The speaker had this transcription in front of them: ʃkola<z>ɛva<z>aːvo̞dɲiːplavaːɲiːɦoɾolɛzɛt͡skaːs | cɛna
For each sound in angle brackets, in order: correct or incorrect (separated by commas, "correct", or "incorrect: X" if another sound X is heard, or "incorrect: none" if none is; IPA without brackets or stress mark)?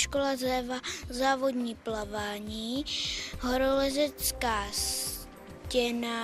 correct, correct